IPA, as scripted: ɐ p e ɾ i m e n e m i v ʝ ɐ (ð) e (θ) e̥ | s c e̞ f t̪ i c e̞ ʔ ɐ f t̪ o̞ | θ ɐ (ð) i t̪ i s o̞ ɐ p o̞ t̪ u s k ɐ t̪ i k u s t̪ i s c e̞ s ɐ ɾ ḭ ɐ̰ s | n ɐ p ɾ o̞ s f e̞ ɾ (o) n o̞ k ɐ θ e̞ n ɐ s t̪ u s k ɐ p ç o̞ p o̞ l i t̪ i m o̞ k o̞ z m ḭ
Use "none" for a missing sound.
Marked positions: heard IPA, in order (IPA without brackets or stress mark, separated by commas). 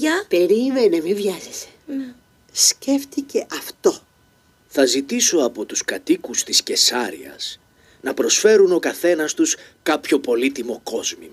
z, s, z, u